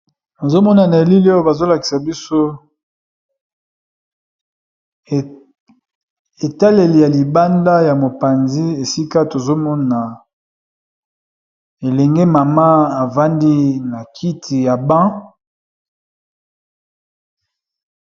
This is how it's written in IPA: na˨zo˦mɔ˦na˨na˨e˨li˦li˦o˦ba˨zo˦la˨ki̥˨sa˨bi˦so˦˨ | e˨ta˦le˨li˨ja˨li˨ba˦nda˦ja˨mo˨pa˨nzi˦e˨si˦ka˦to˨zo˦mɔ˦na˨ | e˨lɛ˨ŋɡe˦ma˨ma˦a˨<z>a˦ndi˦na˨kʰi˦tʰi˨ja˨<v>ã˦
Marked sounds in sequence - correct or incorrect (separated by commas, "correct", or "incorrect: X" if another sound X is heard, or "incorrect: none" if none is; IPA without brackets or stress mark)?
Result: incorrect: v, incorrect: b